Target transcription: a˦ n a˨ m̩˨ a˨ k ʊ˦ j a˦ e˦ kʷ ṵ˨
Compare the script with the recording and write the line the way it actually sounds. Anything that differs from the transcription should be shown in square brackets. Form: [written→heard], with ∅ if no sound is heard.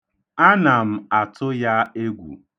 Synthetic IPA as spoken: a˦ n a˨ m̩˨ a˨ [k→t] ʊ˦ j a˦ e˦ [kʷ→ɡʷ] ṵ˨